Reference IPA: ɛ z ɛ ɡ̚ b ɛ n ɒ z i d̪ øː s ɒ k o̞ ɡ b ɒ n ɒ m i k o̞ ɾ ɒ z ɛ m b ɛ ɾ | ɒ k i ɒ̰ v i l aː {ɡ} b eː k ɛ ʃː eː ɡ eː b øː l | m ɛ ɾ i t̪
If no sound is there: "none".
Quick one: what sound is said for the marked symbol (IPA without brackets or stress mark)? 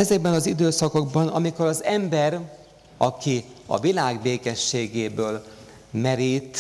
ɡ